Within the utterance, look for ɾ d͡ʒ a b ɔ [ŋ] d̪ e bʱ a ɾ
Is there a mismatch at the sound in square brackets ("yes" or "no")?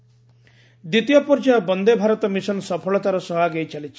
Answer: yes